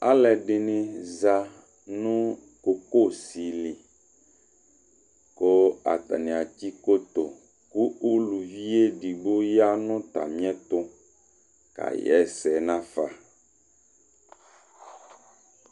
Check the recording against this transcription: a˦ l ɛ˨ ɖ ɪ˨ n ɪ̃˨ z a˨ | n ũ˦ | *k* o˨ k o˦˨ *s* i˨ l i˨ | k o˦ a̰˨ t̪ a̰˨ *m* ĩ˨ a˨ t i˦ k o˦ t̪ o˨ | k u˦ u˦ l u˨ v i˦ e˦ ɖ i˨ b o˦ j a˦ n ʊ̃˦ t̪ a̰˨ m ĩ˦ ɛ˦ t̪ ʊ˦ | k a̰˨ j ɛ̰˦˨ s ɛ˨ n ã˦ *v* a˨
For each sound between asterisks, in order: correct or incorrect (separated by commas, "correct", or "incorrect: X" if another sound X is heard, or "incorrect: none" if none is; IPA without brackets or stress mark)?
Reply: correct, correct, incorrect: n, incorrect: f